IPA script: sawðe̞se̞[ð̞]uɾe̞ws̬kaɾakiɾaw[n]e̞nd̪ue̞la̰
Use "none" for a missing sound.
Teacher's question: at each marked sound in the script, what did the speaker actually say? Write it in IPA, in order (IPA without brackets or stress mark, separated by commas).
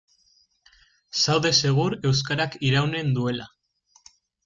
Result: ɣ̞, n